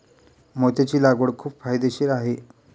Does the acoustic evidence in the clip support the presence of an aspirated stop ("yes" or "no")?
yes